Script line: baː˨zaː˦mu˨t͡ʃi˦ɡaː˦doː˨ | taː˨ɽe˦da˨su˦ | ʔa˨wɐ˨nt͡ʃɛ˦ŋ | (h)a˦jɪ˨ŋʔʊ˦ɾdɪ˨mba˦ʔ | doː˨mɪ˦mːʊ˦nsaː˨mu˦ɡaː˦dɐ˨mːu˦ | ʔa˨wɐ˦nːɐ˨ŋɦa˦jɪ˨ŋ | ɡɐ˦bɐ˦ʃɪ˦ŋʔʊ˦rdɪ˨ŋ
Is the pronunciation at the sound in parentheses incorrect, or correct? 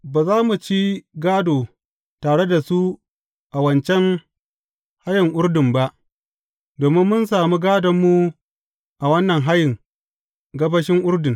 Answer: correct